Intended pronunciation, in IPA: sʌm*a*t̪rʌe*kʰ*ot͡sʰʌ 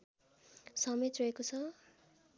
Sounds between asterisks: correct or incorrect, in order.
incorrect: e, incorrect: k

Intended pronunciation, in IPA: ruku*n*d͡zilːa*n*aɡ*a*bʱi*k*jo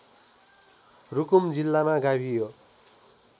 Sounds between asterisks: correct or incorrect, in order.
incorrect: m, incorrect: m, correct, incorrect: none

